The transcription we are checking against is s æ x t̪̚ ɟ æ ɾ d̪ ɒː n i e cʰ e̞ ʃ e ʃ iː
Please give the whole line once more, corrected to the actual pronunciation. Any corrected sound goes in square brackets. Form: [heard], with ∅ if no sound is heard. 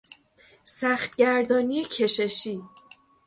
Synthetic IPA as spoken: s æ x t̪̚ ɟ æ ɾ d̪ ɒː n i e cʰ e̞ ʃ e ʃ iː